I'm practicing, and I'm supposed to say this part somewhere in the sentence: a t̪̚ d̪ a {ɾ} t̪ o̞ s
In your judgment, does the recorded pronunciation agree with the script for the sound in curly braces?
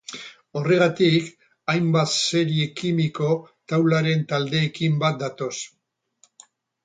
no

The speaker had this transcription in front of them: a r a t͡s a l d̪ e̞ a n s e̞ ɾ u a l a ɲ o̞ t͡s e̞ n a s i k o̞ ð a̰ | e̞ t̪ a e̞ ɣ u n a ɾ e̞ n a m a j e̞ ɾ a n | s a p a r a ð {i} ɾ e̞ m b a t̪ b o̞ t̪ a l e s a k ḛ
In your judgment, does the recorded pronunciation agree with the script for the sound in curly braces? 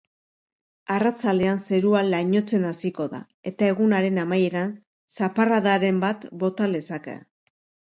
no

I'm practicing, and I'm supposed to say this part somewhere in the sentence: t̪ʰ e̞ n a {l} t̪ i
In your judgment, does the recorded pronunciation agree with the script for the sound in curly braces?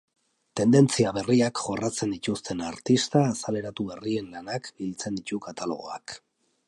no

